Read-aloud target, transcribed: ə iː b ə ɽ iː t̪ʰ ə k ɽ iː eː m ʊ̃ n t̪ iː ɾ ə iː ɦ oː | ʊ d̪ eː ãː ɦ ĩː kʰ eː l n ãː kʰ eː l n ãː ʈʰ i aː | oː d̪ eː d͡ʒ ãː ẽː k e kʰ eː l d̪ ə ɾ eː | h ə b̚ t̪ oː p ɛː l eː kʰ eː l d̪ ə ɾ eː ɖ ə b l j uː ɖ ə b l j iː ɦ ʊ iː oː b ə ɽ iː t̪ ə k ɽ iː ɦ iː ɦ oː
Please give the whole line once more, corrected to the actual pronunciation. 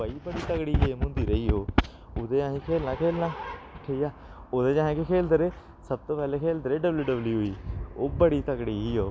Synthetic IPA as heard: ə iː b ə ɽ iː t̪ ə k ɽ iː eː m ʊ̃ n d̪ iː ɾ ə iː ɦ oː | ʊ d̪ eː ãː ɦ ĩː kʰ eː l n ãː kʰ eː l n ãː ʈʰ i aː | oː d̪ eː d͡ʒ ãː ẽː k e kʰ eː l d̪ ə ɾ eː | s ə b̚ t̪ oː p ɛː l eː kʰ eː l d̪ ə ɾ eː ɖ ə b l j uː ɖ ə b l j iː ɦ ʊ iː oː b ə ɽ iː t̪ ə k ɽ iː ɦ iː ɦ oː